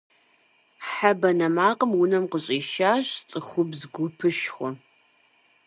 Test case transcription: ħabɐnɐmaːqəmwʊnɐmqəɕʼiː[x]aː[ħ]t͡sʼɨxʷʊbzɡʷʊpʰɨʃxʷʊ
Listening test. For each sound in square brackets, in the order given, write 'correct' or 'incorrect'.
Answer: incorrect, incorrect

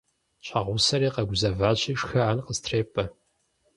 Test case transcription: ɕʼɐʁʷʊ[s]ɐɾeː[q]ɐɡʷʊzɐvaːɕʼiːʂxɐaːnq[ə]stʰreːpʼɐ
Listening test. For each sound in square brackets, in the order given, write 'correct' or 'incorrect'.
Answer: correct, correct, correct

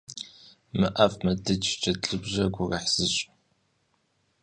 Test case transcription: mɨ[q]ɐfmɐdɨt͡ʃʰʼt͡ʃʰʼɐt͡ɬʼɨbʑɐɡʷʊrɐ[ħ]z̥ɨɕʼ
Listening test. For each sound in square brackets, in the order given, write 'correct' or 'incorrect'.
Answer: incorrect, correct

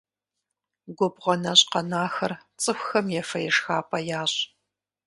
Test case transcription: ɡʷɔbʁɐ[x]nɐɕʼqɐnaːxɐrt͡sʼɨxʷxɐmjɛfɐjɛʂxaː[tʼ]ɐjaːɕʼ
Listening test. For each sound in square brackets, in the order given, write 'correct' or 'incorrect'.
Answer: incorrect, incorrect

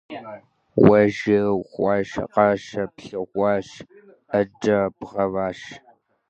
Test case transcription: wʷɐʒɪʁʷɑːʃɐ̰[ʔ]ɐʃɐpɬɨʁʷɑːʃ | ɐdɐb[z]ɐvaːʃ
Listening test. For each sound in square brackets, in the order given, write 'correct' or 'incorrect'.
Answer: incorrect, incorrect

